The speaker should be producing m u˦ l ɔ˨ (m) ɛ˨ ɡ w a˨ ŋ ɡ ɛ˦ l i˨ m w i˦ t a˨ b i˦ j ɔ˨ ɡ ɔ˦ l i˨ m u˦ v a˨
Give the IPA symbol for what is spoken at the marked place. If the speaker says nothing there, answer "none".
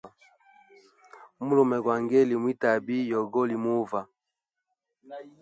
m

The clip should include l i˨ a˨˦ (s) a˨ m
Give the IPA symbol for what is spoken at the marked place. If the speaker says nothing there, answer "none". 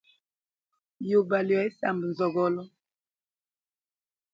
s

